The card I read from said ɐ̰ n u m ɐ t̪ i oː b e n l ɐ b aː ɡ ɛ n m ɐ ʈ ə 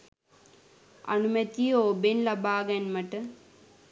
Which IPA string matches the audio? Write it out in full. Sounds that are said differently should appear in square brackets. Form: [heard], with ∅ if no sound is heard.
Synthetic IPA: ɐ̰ n u m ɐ t̪ i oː b e n l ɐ b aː ɡ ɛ n m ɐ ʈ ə

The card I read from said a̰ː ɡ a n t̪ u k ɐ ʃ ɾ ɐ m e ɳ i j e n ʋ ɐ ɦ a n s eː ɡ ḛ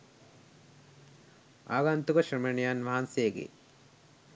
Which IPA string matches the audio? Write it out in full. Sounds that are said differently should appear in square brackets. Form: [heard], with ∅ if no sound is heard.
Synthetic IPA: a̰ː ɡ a n t̪ u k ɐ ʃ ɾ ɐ m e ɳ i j [a] n ʋ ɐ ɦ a n s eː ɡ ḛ

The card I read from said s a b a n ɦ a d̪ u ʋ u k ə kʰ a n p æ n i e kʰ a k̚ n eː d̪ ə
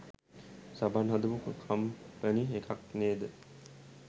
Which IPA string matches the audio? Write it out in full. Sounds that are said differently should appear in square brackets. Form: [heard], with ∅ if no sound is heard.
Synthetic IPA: s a b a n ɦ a d̪ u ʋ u k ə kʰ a [m] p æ n i e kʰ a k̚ n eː d̪ ə

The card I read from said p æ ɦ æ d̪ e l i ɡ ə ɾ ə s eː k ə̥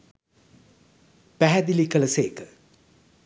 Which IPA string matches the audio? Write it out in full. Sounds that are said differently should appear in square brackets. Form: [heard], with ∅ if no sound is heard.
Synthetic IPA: p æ ɦ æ d̪ [i] l i [k] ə [l] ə s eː k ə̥

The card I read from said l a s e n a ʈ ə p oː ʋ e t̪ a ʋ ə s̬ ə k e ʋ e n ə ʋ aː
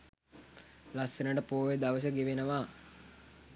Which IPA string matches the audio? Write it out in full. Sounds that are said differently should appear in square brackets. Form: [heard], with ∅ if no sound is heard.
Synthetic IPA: l a s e n [ə] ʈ ə p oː ʋ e [d̪] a ʋ ə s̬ ə [ɡ] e ʋ e n ə ʋ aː

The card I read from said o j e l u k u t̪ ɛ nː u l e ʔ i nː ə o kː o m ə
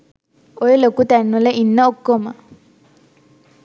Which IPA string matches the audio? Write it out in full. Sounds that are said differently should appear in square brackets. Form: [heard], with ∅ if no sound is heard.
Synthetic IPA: o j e l [o] k u t̪ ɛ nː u l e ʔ i nː ə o kː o m ə

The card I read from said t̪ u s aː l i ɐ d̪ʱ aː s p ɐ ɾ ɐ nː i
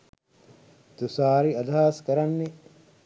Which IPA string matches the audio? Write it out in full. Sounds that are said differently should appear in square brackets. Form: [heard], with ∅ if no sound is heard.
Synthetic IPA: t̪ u s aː [ɾ] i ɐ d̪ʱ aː s [k] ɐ ɾ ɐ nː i

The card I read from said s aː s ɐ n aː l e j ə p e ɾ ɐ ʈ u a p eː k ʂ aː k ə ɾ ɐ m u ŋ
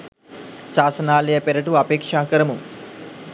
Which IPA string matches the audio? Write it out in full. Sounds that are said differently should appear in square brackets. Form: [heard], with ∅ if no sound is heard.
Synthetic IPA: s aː s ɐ n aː l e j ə p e ɾ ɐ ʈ u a p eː k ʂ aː k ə ɾ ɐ m u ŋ

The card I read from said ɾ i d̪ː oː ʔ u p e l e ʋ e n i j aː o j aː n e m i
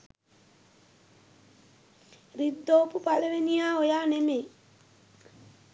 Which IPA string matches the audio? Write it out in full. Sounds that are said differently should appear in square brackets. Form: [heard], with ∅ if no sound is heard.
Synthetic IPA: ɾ i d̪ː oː [p] u p [a] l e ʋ e n i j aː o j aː n e m [e]

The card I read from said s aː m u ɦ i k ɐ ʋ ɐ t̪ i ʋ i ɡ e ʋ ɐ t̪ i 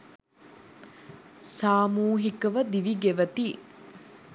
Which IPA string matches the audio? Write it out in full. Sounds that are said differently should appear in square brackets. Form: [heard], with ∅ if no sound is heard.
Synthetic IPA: s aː m [uː] ɦ i k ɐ ʋ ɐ [d̪] i ʋ i ɡ e ʋ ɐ t̪ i

